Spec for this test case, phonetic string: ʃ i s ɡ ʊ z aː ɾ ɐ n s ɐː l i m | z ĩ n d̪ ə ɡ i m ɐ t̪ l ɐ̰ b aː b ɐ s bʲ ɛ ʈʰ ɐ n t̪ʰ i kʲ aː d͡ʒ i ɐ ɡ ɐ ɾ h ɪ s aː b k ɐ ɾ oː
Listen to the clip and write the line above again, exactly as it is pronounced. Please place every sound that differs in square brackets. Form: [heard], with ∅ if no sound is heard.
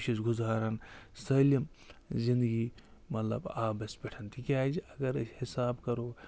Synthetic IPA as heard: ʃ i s ɡ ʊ z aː ɾ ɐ n s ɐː l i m | z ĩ n d̪ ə ɡ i m ɐ t̪ l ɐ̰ b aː b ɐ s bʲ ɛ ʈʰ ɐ n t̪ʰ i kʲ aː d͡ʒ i ɐ ɡ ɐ ɾ h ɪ s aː b k ɐ ɾ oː